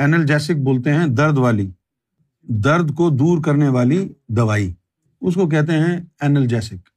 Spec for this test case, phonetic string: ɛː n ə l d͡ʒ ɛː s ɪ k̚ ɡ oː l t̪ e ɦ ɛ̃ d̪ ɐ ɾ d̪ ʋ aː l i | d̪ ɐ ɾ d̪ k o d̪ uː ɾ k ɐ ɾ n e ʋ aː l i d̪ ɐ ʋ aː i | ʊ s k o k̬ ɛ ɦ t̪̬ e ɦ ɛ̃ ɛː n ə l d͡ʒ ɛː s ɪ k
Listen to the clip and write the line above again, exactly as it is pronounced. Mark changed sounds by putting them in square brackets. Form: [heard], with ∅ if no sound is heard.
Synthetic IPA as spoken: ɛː n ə l d͡ʒ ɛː s ɪ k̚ [b] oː l t̪ e ɦ ɛ̃ d̪ ɐ ɾ d̪ ʋ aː l i | d̪ ɐ ɾ d̪ k o d̪ uː ɾ k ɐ ɾ n e ʋ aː l i d̪ ɐ ʋ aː i | ʊ s k o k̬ ɛ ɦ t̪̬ e ɦ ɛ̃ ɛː n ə l d͡ʒ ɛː s ɪ k